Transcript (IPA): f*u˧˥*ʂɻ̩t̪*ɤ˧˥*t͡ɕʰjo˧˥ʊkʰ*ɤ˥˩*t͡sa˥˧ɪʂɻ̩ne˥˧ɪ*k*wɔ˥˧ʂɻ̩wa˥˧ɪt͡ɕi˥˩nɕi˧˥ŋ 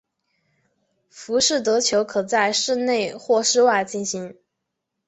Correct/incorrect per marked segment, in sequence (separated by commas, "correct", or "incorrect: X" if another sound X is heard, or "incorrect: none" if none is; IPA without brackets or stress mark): correct, correct, incorrect: ɤ˨˩, incorrect: x